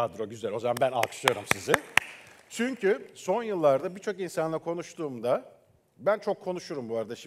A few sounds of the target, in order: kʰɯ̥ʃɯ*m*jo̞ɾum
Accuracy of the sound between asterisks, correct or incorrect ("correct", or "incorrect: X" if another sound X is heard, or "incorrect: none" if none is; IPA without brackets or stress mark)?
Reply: incorrect: none